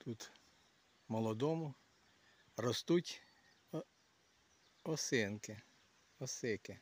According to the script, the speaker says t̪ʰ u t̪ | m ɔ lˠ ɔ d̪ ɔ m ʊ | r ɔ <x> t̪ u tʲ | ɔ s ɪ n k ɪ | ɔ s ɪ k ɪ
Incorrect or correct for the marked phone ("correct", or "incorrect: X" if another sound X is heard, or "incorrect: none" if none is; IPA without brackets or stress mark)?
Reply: incorrect: s